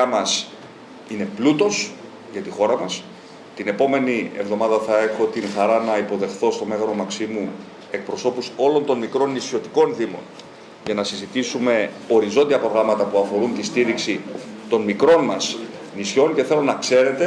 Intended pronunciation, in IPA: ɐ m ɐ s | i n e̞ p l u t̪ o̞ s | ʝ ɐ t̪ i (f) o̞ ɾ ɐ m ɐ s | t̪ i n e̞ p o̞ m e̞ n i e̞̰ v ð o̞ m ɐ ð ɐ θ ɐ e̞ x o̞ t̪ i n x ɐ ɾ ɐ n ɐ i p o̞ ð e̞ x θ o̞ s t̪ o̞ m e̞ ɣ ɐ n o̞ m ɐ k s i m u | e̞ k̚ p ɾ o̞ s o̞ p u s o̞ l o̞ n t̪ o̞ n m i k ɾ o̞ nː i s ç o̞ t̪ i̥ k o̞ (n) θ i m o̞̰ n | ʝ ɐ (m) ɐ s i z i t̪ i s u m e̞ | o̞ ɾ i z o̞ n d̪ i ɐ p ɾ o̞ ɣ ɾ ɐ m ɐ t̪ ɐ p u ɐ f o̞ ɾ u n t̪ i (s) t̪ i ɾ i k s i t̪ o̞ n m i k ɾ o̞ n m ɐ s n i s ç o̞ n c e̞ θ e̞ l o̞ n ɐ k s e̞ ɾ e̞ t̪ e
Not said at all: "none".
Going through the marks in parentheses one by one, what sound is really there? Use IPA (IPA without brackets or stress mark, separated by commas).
x, n, n, s